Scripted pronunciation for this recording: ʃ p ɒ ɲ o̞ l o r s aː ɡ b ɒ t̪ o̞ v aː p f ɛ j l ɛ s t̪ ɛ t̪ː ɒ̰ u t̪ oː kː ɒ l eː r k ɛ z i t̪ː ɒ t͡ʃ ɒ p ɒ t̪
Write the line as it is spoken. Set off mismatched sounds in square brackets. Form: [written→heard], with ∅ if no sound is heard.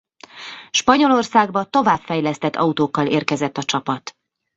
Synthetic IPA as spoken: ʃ p ɒ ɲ o̞ l o r s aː ɡ b ɒ t̪ o̞ v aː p f ɛ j l ɛ s t̪ ɛ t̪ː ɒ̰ u t̪ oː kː ɒ l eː r k ɛ z [i→ɛ] t̪ː ɒ t͡ʃ ɒ p ɒ t̪